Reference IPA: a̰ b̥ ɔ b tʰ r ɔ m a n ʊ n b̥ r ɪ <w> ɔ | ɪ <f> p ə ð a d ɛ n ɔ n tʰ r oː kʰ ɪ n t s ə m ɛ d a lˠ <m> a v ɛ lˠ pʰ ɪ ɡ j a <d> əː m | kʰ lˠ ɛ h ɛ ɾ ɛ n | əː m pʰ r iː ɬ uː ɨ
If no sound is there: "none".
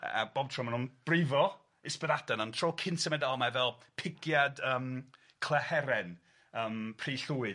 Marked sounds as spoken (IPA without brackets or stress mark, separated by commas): v, s, m, d